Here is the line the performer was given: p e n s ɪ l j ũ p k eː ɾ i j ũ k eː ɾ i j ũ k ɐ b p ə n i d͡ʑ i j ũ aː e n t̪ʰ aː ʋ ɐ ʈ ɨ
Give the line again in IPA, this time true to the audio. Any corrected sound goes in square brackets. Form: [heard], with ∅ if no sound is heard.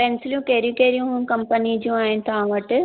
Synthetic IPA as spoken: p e n s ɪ l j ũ [∅] k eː ɾ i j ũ k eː ɾ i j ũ k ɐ [m] p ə n i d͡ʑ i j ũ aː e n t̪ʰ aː ʋ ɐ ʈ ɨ